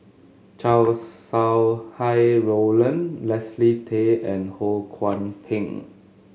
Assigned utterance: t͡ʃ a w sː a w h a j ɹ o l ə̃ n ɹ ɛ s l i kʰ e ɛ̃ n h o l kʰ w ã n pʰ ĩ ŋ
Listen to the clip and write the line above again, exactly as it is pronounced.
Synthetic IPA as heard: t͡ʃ a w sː a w h a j ɹ o l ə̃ n l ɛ s l i tʰ e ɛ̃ n h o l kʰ w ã n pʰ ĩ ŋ